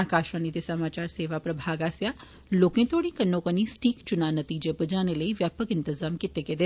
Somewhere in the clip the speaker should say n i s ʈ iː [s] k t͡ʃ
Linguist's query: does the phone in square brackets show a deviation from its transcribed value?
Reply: yes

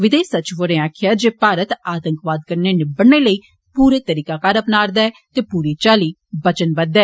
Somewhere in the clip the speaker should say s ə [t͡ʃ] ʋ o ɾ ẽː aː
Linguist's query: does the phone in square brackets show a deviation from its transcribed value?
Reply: no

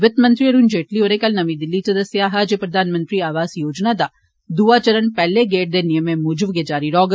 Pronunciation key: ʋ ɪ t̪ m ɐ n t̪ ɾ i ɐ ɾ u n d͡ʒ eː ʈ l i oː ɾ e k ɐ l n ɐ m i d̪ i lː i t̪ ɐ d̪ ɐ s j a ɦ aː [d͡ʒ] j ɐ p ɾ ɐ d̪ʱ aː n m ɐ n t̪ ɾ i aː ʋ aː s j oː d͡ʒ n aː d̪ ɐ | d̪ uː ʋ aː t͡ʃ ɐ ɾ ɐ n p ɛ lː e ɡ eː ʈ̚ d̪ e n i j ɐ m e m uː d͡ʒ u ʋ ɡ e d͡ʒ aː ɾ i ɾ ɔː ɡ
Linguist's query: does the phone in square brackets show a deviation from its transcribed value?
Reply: no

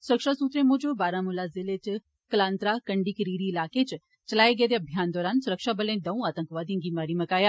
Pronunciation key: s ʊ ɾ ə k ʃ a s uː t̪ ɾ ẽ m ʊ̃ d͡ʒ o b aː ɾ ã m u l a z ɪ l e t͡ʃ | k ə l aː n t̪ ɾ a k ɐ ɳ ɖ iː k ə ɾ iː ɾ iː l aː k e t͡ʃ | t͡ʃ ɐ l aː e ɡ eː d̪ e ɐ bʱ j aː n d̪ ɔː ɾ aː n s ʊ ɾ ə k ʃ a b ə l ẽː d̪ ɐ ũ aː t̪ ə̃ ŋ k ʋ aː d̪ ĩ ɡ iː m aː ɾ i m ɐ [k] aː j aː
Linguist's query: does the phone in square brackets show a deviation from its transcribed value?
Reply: no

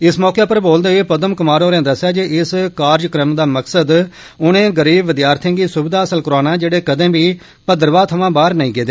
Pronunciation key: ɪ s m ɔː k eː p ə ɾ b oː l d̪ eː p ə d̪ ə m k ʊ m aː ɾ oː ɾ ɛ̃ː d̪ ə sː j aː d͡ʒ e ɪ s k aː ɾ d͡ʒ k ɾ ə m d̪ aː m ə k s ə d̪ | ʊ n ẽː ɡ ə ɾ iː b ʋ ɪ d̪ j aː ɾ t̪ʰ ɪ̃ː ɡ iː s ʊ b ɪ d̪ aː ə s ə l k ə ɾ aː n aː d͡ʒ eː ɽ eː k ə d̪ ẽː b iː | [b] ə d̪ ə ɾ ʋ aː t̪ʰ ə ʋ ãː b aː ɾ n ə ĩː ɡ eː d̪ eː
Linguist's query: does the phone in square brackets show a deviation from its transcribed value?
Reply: yes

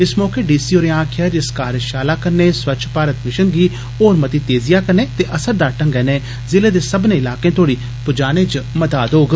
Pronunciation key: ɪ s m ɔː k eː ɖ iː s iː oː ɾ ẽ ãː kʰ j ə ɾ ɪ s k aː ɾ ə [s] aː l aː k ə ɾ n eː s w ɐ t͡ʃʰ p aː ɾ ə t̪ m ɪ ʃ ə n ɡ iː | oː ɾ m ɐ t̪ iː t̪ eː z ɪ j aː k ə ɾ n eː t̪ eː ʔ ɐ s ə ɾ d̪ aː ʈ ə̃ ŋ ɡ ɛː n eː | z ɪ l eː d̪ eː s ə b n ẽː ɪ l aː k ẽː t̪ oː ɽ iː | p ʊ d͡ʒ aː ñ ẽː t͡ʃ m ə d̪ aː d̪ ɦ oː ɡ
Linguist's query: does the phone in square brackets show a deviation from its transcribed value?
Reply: yes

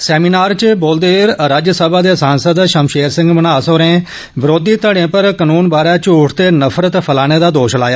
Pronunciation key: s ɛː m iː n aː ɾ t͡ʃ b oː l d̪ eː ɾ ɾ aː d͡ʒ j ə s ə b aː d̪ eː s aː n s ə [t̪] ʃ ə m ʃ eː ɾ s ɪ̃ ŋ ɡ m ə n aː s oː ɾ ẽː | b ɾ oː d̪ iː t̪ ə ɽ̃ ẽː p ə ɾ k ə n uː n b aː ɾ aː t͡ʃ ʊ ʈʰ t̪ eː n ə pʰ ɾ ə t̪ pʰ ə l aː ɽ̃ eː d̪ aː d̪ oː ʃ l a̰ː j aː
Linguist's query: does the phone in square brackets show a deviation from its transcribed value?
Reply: yes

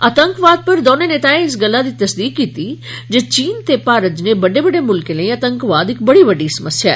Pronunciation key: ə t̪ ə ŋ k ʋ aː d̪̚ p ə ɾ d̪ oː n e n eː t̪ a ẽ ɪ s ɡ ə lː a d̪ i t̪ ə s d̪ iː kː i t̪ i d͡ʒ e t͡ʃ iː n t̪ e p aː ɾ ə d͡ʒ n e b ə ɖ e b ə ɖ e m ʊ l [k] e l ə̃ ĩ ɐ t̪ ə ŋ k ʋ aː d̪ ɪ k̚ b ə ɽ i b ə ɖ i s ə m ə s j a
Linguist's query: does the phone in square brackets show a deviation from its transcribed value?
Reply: no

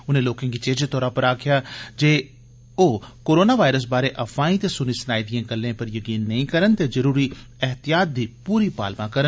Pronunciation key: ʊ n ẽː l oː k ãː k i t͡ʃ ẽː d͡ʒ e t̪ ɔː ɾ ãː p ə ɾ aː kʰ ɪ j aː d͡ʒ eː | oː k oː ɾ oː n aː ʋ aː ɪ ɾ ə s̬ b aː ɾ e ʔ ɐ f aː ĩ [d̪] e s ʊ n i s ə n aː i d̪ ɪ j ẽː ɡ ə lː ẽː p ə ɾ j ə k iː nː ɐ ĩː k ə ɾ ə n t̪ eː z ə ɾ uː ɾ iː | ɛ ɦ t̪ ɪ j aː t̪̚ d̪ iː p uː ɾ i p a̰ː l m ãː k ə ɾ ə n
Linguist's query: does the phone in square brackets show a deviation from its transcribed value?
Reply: yes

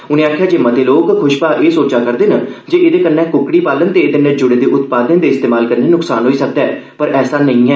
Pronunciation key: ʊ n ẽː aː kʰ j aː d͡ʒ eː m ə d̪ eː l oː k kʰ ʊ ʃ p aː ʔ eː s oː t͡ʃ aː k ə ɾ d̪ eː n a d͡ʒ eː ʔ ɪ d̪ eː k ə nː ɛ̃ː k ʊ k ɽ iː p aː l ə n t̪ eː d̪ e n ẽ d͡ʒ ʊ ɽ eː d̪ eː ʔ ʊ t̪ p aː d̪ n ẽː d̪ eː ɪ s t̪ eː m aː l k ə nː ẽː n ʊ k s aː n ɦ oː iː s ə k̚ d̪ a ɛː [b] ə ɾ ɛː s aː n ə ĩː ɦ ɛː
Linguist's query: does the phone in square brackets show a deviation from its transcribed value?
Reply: yes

